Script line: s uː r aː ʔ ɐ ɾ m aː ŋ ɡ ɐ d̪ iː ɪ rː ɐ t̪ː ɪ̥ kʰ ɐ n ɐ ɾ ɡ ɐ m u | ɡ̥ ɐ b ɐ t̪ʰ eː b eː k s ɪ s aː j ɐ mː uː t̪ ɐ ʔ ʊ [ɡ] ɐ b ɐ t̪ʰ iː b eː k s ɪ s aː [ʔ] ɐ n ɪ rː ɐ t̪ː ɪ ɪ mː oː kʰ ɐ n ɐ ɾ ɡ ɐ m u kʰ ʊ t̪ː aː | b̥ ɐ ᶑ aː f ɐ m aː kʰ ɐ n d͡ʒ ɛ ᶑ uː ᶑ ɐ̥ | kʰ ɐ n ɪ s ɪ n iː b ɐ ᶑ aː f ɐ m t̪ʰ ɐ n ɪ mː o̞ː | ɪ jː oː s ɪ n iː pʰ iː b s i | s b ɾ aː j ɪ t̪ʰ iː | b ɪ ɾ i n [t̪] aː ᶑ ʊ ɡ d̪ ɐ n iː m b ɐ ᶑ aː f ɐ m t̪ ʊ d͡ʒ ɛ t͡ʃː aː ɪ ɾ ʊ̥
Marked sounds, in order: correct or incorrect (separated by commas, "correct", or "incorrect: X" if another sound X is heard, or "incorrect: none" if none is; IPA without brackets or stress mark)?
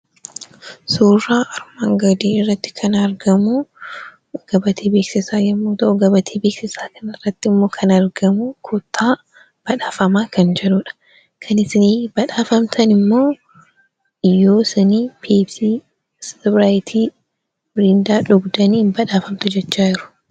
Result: correct, incorrect: k, incorrect: d̪